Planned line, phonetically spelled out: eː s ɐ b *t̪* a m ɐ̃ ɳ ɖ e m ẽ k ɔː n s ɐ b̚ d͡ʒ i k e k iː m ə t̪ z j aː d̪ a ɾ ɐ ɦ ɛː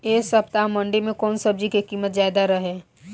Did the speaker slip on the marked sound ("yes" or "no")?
no